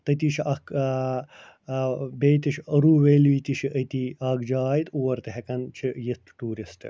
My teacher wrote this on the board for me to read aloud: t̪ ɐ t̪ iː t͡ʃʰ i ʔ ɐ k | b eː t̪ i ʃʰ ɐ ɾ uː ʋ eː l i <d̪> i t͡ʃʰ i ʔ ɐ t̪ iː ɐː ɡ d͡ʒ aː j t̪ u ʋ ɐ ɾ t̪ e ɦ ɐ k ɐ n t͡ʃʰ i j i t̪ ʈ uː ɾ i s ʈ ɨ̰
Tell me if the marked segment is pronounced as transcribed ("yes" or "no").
no